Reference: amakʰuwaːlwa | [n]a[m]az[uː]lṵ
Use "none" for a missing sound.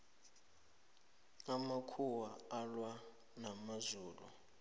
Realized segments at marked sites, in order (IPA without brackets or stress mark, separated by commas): n, m, uː